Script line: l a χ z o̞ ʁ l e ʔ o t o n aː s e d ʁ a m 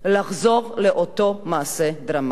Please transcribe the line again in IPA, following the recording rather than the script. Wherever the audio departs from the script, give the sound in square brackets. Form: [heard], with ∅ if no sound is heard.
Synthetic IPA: l a χ z o̞ ʁ l e ʔ o t o [m] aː s e d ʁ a m